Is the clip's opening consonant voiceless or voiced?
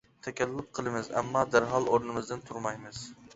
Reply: voiceless